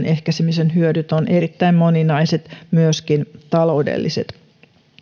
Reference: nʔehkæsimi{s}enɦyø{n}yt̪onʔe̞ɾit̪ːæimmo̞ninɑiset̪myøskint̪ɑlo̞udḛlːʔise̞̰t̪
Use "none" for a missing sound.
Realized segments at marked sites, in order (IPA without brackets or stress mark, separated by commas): s, d